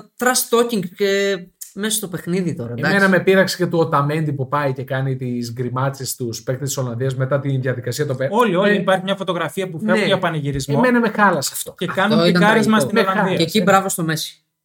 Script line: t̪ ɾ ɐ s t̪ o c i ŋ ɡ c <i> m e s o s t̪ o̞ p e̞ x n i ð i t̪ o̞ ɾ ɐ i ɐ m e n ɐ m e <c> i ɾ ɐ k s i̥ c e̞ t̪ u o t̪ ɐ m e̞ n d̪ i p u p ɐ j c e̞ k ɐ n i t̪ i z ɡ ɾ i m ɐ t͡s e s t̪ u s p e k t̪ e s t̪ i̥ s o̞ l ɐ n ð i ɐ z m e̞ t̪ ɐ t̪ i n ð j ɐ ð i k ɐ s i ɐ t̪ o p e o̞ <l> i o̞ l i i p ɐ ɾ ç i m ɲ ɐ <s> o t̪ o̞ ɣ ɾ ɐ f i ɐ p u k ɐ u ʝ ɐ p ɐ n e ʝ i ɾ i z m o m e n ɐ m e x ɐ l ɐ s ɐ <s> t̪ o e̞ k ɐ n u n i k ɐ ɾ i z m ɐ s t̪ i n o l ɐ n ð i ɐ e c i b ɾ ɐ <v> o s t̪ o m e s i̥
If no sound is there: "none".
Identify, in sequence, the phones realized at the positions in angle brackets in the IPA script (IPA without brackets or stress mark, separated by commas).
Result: e, p, l, f, f, v